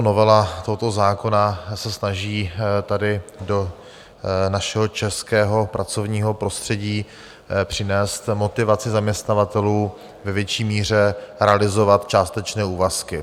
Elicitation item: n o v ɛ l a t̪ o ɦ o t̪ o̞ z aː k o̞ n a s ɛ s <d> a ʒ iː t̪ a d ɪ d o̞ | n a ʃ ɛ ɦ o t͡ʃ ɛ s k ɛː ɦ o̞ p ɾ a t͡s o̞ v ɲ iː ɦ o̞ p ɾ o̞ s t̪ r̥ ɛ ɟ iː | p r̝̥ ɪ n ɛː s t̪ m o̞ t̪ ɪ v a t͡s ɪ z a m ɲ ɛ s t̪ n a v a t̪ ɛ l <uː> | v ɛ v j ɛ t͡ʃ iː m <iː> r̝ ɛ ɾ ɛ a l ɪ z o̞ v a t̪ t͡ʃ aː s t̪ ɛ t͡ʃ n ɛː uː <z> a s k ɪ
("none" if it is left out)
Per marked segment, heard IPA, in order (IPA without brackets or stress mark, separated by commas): n, uː, iː, v